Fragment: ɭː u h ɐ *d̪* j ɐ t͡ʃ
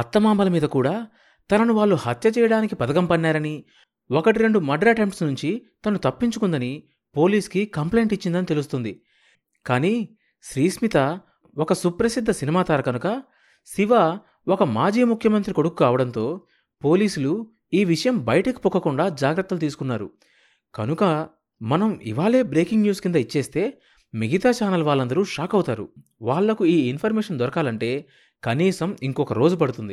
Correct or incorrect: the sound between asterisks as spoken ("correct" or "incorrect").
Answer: incorrect